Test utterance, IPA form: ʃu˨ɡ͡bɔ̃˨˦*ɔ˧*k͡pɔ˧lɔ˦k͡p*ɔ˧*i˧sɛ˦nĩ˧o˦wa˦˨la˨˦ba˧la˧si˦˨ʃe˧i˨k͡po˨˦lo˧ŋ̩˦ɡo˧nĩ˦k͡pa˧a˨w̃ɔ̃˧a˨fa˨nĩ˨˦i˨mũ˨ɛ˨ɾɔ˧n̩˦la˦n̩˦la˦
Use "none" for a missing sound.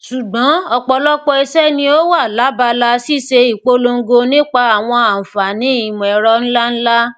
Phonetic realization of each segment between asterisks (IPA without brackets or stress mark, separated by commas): ɔ˧, ɔ˧